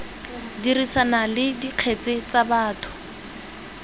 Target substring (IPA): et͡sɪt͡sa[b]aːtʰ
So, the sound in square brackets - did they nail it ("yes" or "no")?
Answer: yes